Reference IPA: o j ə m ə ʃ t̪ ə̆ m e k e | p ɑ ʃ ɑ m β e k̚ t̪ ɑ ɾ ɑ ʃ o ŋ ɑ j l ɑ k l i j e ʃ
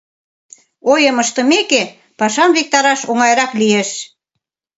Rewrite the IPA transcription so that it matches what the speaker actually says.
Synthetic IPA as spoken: o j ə m ə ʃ t̪ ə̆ m e k e | p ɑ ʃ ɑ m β e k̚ t̪ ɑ ɾ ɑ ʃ o ŋ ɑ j ɾ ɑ k l i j e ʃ